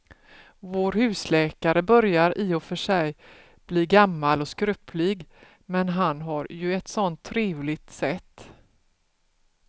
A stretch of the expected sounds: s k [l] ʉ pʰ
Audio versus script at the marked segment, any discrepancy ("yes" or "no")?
yes